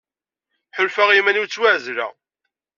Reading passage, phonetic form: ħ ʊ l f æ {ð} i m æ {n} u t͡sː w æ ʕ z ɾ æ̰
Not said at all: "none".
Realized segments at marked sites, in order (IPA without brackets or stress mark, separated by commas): ʁ, n